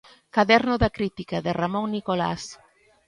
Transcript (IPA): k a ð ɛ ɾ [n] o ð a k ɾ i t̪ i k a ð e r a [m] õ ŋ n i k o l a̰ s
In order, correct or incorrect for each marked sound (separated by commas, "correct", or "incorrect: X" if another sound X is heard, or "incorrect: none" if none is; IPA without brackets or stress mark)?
correct, correct